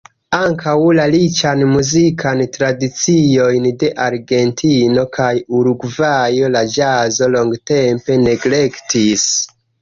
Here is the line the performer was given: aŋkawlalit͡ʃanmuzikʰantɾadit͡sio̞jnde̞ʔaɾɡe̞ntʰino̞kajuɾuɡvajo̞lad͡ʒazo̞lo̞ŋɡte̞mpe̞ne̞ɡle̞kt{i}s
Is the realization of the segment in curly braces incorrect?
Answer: no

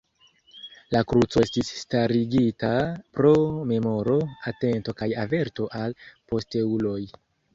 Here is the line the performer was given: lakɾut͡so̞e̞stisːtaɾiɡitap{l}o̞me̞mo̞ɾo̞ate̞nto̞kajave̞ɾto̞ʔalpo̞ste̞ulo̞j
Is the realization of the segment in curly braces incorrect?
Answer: yes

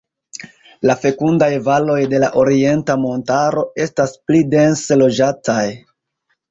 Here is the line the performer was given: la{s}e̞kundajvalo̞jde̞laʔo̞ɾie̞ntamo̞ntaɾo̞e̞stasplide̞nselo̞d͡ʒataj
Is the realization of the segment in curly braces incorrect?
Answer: yes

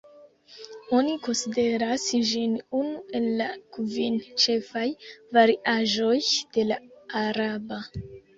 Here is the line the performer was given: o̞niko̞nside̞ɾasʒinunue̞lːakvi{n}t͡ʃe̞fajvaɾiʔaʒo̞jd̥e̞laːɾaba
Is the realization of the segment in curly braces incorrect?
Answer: no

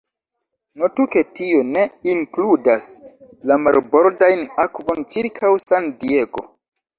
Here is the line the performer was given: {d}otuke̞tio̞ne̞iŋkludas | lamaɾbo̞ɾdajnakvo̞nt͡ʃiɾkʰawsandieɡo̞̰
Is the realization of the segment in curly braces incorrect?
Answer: yes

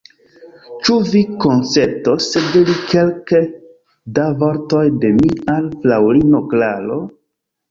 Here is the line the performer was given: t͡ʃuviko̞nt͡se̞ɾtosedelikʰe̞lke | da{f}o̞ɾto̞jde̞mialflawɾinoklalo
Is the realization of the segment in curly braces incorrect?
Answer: yes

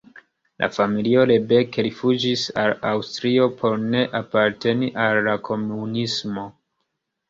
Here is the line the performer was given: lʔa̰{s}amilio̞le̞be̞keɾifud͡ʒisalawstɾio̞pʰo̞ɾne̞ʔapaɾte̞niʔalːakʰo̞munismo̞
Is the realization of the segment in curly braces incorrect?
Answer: yes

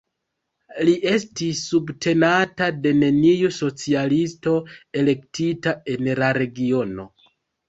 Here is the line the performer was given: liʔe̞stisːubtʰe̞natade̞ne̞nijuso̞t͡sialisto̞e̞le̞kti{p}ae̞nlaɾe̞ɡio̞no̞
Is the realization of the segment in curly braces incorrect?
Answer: yes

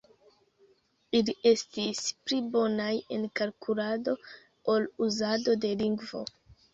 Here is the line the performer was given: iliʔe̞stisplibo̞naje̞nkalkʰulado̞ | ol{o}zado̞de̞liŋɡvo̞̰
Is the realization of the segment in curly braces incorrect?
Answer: yes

